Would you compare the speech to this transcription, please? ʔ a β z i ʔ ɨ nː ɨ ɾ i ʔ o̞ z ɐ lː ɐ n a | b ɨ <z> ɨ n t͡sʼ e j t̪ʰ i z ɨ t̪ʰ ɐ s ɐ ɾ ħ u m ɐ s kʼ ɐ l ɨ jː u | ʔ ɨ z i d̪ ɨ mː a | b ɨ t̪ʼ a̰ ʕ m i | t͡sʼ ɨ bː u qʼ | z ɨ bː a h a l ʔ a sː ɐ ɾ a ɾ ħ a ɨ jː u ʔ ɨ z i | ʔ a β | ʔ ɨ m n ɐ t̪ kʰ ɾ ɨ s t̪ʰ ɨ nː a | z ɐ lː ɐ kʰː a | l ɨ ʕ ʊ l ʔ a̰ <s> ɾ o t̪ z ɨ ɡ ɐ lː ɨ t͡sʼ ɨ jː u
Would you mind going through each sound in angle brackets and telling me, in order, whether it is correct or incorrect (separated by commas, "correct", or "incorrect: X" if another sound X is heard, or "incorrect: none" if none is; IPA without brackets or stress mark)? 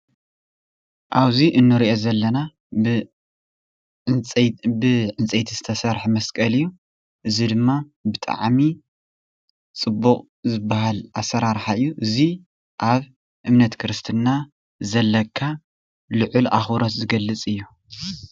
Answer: incorrect: ʕ, incorrect: x